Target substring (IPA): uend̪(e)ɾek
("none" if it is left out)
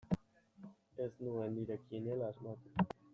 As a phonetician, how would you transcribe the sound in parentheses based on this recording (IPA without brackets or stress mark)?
i